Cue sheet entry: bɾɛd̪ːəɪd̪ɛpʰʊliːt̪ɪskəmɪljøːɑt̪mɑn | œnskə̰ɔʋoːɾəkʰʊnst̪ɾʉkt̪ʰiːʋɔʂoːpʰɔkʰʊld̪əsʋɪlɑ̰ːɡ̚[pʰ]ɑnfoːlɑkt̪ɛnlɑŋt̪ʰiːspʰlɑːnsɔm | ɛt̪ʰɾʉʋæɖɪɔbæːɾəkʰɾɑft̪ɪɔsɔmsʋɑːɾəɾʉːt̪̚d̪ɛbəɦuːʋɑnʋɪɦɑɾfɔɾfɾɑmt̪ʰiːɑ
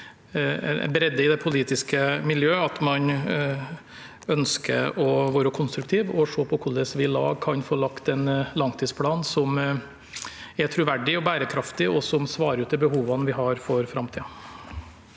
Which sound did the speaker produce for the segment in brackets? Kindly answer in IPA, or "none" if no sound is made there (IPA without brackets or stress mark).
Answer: kʰ